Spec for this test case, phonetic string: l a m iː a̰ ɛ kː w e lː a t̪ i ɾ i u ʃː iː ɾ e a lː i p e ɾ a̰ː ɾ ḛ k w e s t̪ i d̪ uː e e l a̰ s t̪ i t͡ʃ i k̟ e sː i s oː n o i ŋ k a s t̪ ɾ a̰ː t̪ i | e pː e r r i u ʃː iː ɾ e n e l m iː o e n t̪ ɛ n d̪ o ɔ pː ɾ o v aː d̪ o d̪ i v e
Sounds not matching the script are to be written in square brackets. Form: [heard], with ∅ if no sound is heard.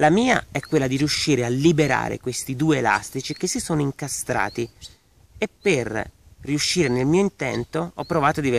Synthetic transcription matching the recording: l a m iː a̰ ɛ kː w e lː a [d̪] i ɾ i u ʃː iː ɾ e a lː i [b] e ɾ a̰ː ɾ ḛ k w e s t̪ i d̪ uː e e l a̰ s t̪ i t͡ʃ i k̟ e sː i s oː n o i ŋ k a s t̪ ɾ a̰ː t̪ i | e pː e r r i u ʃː iː ɾ e n e l m iː o [i] n t̪ ɛ n [t̪] o ɔ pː ɾ o v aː [t̪] o d̪ i v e